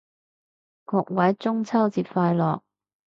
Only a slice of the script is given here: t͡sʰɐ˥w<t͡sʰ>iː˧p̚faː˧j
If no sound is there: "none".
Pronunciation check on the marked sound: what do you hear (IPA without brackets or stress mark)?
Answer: t͡s